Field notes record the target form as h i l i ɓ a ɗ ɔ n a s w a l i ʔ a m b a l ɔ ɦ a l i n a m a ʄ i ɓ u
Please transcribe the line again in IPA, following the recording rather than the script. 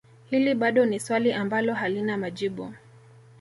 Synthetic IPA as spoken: h i l i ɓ a ɗ ɔ n i s w a l i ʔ a m b a l ɔ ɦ a l i n a m a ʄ i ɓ u